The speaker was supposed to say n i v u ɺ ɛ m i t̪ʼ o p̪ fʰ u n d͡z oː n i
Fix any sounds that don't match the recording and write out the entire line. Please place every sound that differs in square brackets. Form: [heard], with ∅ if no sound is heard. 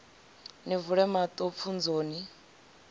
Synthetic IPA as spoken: n i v u ɺ ɛ m [a] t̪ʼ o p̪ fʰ u n d͡z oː n i